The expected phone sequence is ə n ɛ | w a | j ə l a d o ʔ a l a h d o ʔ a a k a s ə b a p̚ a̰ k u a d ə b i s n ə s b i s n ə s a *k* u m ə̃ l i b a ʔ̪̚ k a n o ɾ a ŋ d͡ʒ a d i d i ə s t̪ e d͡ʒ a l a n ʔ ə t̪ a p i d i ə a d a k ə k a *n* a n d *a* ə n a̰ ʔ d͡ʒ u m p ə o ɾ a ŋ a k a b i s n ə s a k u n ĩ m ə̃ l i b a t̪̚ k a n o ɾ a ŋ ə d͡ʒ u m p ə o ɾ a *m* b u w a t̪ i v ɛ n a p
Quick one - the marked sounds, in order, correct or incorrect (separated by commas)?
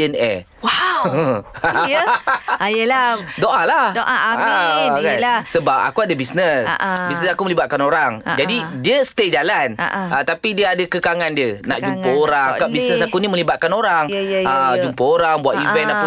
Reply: correct, incorrect, incorrect, incorrect